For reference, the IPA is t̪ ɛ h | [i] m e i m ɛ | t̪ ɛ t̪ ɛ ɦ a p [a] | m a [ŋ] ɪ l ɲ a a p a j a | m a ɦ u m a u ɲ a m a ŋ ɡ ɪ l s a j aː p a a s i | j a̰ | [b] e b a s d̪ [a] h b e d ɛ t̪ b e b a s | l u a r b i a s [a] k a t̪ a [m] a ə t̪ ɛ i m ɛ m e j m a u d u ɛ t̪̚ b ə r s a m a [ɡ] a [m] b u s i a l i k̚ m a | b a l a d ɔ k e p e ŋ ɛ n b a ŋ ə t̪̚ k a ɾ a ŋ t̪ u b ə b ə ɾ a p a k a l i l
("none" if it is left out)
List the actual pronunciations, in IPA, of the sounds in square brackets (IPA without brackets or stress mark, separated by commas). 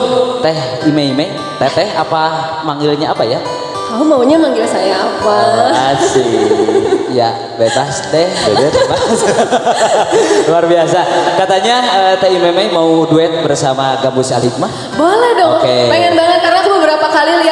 i, a, ŋ, b, ɛ, a, ɲ, ɡ, m